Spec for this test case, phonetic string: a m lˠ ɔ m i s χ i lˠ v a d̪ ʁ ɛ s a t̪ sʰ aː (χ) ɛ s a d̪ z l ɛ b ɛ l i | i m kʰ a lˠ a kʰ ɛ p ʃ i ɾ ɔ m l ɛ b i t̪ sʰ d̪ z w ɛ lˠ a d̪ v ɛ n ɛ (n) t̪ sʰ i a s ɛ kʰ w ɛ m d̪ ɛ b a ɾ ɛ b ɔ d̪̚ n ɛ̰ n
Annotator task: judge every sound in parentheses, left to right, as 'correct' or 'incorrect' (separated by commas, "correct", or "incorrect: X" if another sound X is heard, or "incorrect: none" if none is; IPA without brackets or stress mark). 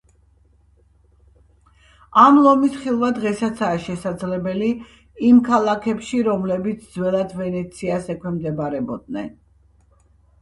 incorrect: ʃ, incorrect: none